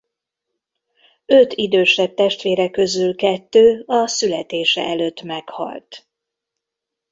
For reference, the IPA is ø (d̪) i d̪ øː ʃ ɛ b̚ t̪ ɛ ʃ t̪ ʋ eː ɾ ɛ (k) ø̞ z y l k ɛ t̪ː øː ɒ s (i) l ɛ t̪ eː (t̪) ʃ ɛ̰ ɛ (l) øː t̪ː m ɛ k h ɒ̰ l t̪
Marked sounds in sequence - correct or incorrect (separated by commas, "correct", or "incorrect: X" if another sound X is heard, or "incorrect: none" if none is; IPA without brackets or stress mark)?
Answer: incorrect: t̪, correct, incorrect: y, incorrect: none, correct